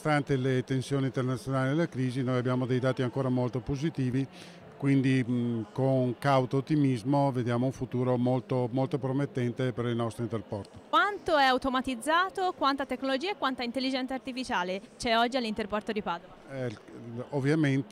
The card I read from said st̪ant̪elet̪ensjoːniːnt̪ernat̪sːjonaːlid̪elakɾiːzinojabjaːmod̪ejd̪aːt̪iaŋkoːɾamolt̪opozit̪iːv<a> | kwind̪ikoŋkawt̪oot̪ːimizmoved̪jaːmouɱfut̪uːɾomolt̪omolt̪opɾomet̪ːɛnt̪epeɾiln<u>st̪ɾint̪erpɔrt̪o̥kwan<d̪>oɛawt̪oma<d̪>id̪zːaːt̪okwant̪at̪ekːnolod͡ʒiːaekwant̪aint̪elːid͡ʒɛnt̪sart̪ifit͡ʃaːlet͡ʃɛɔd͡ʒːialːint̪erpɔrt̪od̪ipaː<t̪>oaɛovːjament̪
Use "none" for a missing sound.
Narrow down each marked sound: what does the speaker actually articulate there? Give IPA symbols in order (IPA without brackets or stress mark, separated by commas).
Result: i, ɔ, t̪, t̪, d̪